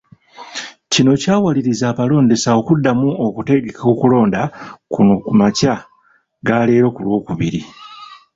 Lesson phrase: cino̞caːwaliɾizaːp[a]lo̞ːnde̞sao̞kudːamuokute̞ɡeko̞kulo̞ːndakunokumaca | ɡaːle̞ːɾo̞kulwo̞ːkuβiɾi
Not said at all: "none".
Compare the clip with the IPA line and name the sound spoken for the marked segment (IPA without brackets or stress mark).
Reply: a